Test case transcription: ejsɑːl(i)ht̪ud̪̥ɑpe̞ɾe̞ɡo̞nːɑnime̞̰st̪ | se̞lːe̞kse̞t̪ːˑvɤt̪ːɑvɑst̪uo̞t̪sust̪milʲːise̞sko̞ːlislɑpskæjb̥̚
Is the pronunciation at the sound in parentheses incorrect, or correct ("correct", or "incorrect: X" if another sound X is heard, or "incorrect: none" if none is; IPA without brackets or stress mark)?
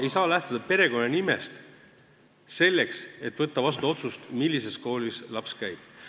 incorrect: æ